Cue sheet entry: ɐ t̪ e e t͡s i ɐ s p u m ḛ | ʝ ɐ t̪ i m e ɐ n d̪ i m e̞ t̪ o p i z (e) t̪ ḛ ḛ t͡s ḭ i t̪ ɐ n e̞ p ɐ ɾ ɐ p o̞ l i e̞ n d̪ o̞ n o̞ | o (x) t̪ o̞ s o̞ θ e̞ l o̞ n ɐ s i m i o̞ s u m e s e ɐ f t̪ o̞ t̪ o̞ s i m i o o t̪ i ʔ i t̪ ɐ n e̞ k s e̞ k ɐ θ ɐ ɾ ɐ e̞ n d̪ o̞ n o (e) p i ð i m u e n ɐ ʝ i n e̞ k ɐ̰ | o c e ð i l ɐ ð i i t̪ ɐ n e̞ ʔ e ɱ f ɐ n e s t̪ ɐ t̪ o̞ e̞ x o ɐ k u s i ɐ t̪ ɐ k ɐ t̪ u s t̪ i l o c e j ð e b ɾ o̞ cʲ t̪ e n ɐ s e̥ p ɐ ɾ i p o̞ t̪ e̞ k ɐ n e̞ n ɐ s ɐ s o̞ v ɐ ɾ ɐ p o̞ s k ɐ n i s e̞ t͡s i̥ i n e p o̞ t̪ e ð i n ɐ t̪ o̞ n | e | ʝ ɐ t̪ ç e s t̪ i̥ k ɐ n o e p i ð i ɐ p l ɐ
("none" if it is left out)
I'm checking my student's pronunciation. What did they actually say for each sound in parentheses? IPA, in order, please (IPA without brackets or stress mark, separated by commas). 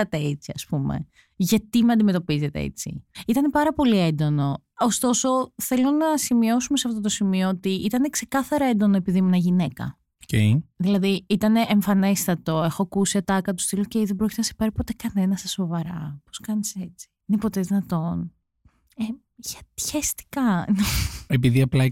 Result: e, s, e